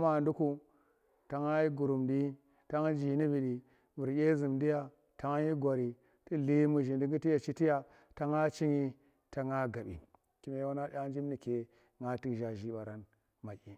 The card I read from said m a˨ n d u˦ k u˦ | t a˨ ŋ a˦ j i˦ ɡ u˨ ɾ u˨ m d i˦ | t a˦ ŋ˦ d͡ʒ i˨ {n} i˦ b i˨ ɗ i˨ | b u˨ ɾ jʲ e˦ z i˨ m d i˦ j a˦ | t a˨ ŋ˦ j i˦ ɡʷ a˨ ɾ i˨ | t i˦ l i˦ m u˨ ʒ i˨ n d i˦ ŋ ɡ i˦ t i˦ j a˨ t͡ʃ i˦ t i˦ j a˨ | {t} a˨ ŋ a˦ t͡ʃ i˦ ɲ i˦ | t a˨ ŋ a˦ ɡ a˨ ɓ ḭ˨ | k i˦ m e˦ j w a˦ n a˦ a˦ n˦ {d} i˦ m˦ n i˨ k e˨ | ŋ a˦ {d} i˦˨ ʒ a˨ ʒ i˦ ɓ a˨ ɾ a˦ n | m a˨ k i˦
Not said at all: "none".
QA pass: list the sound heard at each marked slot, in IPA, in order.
n, t, d͡ʒ, t

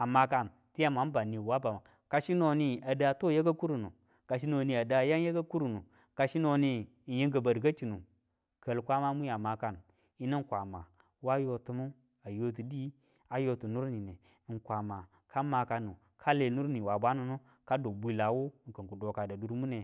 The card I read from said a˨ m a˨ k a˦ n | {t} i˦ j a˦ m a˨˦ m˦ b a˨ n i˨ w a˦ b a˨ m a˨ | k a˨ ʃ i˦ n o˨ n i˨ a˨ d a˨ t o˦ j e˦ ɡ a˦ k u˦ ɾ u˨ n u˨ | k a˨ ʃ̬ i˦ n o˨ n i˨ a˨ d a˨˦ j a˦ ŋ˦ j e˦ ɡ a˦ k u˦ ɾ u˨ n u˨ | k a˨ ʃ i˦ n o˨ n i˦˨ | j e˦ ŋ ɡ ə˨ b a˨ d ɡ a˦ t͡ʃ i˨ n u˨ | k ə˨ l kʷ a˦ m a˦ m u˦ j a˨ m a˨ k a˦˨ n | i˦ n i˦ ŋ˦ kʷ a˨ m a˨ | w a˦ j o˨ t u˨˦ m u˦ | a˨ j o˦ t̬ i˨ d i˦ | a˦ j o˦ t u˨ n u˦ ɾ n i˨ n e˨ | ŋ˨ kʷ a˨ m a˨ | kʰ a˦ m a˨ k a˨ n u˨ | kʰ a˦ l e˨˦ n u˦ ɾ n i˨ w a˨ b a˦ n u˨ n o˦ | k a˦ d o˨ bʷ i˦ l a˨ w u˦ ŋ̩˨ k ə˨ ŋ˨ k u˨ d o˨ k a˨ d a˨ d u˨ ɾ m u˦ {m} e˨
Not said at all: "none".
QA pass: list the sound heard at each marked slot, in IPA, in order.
t, n

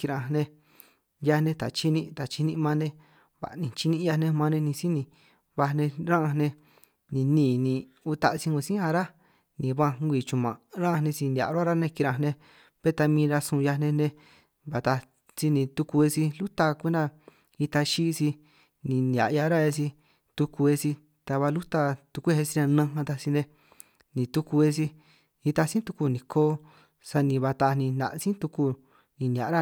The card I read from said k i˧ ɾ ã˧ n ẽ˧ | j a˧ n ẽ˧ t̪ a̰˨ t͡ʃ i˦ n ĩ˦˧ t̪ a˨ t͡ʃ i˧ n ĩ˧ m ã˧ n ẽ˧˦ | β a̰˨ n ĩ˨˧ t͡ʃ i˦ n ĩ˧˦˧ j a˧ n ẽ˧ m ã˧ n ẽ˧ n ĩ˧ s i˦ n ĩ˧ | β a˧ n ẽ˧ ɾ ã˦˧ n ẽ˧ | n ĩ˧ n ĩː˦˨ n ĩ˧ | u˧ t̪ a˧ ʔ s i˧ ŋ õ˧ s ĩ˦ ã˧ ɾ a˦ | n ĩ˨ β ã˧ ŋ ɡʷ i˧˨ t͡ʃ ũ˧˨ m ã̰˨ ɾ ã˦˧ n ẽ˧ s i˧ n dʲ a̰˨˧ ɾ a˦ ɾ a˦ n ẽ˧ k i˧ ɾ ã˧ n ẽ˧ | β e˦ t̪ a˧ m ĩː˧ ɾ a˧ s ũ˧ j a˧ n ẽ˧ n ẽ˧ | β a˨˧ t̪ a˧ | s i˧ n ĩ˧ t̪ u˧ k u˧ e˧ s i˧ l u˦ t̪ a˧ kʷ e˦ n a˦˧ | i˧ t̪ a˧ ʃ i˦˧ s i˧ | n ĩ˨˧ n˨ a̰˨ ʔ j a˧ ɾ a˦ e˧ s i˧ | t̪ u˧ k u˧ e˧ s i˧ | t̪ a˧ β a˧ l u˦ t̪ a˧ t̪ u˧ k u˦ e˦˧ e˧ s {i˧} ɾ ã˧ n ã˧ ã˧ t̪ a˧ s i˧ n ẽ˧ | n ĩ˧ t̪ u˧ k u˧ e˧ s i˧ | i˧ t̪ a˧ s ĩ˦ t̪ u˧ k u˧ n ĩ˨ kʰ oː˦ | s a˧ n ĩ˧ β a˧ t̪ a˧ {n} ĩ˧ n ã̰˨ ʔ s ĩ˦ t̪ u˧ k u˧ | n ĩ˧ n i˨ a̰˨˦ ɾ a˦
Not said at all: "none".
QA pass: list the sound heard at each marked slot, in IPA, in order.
i˧, n

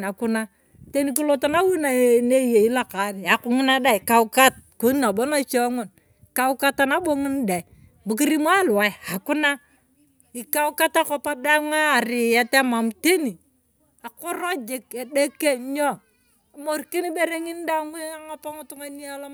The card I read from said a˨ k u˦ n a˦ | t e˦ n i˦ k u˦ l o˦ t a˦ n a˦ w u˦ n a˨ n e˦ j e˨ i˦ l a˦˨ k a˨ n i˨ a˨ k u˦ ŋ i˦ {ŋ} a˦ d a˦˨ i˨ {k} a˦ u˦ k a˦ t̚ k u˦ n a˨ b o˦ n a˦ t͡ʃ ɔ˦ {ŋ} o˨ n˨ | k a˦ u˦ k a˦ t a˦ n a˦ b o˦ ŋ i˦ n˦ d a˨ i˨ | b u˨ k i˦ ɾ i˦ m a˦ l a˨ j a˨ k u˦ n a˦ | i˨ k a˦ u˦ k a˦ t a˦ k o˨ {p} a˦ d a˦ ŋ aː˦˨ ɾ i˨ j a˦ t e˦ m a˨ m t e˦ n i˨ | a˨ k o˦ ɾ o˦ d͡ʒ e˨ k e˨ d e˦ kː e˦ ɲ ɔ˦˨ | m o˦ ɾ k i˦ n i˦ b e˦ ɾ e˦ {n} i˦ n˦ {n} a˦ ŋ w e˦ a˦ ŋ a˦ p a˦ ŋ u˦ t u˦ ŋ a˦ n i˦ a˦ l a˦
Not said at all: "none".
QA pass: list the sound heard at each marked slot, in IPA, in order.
n, k, ŋ, p, ŋ, d

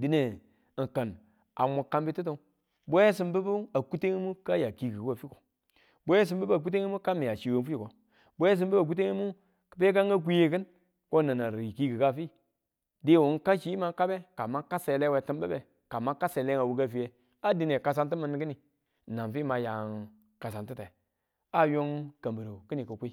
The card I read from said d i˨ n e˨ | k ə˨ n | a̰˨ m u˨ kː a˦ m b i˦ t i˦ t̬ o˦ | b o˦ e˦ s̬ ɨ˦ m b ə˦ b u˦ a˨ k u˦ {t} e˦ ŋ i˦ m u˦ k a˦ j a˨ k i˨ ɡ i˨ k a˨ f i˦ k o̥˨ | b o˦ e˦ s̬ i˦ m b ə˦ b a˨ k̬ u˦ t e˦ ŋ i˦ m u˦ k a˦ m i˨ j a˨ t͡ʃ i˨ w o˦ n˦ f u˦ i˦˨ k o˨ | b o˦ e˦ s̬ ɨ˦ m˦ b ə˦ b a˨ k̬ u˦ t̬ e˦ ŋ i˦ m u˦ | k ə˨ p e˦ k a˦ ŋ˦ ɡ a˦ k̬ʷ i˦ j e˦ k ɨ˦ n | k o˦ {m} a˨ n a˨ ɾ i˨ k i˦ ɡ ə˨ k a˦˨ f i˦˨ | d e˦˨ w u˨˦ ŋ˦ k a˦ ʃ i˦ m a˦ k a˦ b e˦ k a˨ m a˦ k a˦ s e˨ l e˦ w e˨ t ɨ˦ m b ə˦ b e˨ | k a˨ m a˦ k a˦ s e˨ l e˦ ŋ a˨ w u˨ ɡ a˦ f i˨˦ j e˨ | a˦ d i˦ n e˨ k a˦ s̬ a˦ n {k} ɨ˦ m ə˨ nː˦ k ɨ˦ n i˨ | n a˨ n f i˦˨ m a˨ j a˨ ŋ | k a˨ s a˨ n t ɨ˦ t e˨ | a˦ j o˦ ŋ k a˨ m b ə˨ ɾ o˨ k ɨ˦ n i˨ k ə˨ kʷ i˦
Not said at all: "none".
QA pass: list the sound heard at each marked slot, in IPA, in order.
t, n, t

